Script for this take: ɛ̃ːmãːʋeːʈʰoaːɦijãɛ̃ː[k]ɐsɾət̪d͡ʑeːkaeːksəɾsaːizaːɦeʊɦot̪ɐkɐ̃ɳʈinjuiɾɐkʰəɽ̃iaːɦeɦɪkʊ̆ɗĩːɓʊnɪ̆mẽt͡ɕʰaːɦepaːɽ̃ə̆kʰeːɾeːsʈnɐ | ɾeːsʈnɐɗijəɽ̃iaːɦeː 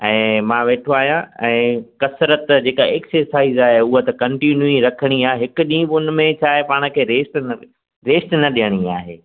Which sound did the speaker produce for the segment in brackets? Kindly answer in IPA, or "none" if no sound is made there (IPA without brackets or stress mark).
k